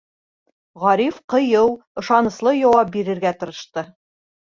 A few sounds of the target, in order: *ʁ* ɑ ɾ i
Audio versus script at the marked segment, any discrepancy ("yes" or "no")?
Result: no